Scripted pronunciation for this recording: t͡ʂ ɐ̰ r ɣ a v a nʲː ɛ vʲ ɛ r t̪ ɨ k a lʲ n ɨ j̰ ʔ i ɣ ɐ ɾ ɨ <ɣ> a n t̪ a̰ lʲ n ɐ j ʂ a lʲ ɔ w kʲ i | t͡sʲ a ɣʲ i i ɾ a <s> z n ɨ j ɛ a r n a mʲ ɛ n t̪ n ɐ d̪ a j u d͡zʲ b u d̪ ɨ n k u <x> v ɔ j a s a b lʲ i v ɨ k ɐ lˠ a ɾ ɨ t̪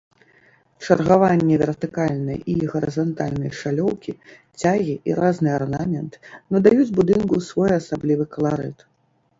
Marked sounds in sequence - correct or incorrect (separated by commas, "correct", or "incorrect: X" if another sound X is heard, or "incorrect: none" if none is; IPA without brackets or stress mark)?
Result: incorrect: z, incorrect: none, incorrect: s